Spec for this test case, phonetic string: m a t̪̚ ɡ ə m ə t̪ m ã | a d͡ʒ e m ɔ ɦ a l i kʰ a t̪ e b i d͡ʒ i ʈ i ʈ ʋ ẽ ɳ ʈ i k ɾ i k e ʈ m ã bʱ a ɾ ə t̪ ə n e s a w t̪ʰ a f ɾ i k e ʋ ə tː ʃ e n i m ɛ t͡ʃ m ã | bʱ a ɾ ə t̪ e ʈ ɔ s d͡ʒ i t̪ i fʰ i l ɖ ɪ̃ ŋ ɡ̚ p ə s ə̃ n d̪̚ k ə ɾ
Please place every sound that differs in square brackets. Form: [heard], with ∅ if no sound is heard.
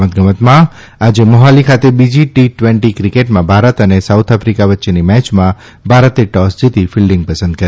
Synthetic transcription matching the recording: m [ə] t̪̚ ɡ ə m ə t̪ m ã | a d͡ʒ e m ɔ ɦ a l i kʰ a t̪ e b i d͡ʒ i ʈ i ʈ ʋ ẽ ɳ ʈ i k ɾ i k e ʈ m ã bʱ a ɾ ə t̪ ə n e s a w t̪ʰ a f ɾ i k [a] ʋ ə tː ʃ e n i m ɛ t͡ʃ m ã | bʱ a ɾ ə t̪ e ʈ ɔ s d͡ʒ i t̪ i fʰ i l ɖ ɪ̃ ŋ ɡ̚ p ə s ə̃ n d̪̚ k ə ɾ